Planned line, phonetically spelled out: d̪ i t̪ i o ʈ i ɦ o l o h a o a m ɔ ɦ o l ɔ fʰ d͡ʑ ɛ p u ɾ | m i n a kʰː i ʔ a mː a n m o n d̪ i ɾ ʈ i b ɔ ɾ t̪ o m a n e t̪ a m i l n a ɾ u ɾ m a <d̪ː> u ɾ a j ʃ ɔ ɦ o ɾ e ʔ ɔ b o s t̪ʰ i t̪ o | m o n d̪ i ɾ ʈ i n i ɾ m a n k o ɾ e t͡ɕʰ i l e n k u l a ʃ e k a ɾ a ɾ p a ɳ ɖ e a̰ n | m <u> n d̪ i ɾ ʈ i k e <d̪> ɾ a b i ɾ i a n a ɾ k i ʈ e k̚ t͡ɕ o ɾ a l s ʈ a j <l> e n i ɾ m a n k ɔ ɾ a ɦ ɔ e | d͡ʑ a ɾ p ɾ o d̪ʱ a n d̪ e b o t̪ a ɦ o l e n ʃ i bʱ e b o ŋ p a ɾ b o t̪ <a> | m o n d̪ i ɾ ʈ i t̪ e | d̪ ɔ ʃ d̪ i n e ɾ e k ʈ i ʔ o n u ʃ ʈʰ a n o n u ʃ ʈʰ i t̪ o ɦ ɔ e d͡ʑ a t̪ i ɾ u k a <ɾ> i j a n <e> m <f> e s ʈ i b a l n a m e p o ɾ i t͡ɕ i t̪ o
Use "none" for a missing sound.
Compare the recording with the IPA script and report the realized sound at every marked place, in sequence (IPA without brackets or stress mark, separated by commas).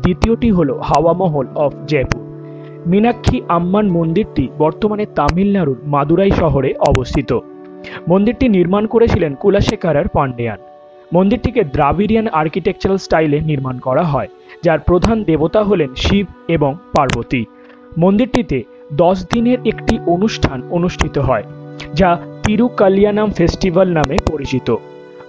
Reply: d̪, o, d̪, l, i, l, a, f